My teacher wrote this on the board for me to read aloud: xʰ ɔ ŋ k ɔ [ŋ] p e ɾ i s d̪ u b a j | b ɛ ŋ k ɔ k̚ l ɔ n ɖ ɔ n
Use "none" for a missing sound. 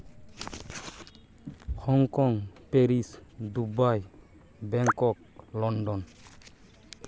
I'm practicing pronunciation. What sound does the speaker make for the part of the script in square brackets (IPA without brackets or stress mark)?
ŋ